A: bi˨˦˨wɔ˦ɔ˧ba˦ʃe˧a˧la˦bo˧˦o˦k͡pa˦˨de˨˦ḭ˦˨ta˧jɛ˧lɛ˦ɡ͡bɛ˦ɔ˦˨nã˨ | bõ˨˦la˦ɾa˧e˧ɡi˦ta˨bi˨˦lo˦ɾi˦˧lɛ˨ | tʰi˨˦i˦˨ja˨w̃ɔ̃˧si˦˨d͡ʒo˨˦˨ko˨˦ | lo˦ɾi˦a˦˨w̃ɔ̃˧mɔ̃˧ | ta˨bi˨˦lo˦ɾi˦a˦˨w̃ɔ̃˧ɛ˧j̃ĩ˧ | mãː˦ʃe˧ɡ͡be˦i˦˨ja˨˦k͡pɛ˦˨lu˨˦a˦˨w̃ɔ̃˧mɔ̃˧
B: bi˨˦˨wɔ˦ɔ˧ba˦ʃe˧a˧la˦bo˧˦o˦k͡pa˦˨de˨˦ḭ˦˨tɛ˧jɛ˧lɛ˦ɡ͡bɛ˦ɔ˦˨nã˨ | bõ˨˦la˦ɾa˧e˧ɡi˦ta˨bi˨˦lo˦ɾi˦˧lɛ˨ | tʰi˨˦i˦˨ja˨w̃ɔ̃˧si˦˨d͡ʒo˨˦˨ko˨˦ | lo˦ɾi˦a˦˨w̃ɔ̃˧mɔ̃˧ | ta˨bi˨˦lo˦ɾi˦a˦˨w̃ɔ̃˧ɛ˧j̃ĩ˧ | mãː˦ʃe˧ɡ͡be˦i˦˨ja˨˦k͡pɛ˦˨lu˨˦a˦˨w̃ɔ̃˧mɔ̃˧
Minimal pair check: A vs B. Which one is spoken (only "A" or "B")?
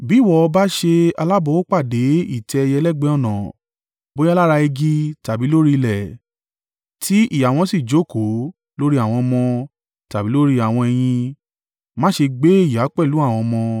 B